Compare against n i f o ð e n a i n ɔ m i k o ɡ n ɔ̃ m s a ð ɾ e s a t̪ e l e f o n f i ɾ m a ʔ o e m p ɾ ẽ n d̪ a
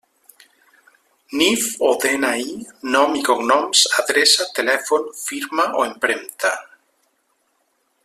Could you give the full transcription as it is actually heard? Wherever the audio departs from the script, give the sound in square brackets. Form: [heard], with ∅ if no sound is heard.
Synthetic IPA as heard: n i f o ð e n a i n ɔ m i k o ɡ n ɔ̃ m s a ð ɾ e s a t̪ e l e f o n f i ɾ m a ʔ o e m p ɾ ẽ n [t̪] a